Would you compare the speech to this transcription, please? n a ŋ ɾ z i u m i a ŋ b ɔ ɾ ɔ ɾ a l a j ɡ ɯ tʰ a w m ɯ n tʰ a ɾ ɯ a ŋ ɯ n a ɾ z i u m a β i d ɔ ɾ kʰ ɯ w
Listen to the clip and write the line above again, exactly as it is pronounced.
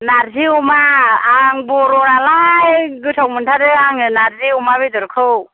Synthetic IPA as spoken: n a ɾ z i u m a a ŋ b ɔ ɾ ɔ ɾ a l a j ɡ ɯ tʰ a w m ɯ n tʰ a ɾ ɯ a ŋ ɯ n a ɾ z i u m a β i d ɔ ɾ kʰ ɯ w